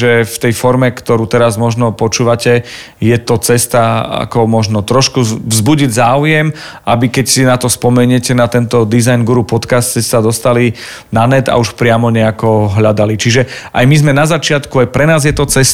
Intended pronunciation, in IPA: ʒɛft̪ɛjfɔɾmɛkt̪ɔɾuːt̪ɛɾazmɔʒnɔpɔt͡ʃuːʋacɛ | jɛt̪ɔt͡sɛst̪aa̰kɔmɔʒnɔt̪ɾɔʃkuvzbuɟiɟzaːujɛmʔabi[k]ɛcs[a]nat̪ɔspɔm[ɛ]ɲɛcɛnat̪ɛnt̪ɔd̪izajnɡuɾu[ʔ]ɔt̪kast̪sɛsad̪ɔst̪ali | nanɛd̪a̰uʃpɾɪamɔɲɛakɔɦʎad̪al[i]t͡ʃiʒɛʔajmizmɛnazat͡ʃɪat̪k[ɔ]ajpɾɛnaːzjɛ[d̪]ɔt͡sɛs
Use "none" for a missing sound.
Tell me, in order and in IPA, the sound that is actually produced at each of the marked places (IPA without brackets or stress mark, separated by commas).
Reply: k, i, ɛ, p, i, u, t̪